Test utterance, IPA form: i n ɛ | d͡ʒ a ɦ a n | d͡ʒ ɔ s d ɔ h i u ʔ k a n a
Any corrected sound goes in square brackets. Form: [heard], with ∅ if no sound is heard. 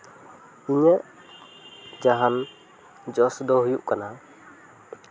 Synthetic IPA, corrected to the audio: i [ɲ] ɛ | d͡ʒ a ɦ a n | d͡ʒ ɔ s d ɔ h [j] u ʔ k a n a